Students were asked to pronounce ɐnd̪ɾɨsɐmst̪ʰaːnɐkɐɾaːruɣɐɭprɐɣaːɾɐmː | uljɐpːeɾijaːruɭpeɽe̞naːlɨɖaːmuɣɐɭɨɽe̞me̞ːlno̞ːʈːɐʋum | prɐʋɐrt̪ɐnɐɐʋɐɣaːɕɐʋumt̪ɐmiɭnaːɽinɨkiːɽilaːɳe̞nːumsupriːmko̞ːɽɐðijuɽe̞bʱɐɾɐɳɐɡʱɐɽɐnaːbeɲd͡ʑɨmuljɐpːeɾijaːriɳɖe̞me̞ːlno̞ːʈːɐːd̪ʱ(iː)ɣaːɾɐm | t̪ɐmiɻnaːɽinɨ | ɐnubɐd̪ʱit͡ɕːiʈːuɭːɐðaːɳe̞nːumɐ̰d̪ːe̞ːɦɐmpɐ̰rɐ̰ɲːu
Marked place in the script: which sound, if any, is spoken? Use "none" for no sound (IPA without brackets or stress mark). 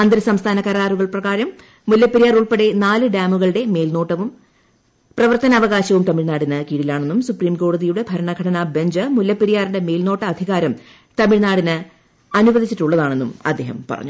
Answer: i